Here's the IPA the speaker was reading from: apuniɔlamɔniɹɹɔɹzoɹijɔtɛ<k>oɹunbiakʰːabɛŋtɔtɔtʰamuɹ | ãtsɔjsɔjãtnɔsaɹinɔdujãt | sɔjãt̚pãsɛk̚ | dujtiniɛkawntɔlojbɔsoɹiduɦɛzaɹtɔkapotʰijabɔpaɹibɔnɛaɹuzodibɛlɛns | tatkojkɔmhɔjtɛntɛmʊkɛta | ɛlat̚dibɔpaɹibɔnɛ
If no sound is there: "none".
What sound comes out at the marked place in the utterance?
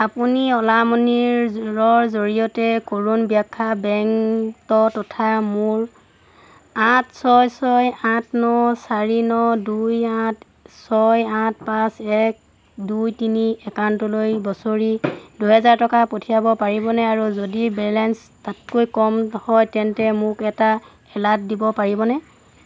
k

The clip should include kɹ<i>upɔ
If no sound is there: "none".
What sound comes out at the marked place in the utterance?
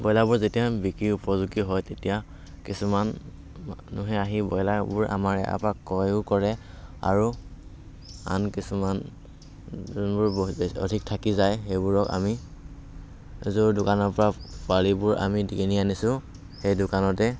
i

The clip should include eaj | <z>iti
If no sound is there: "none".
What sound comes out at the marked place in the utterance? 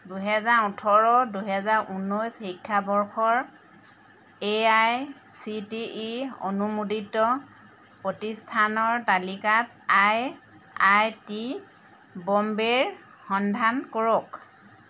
s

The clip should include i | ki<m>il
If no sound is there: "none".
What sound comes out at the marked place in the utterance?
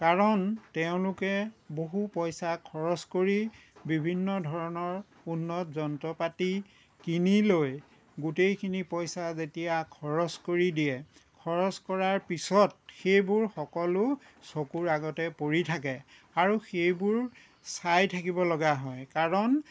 n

